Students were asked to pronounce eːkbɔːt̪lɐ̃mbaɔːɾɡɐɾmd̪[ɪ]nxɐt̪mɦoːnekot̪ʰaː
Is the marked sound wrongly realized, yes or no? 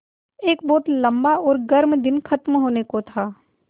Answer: no